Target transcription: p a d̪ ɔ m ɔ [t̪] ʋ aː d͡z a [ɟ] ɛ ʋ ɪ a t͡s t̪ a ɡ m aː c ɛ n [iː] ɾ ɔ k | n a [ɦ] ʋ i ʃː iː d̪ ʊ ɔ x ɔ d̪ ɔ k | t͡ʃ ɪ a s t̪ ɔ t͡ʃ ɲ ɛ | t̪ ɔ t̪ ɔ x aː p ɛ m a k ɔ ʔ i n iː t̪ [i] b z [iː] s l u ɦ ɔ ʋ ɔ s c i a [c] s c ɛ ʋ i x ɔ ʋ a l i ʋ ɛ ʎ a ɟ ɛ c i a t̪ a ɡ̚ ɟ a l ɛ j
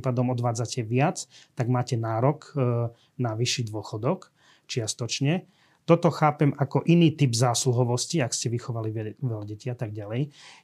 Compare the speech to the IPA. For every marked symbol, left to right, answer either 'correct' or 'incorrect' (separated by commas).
incorrect, incorrect, incorrect, incorrect, correct, incorrect, incorrect